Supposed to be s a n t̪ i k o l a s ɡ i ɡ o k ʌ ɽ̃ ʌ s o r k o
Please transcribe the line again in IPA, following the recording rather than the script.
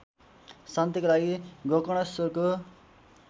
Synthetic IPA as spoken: s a n t̪ i k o l a ɡ i ɡ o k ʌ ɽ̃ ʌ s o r k o